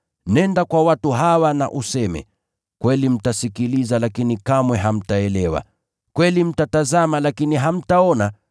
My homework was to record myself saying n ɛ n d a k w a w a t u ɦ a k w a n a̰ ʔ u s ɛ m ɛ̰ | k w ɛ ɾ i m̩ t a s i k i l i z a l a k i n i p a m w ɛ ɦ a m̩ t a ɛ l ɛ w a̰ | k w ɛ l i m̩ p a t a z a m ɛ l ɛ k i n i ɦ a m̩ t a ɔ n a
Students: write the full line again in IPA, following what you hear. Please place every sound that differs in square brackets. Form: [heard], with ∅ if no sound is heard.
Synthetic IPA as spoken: n ɛ n d a k w a w a t u ɦ a [∅] w a n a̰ ʔ u s ɛ m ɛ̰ | k w ɛ [l] i m̩ t a s i k i l i z a l a k i n i [k] a m w ɛ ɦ a m̩ t a ɛ l ɛ w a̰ | k w ɛ l i m̩ [t] a t a z a m [a] l [a] k i n i ɦ a m̩ t a ɔ n a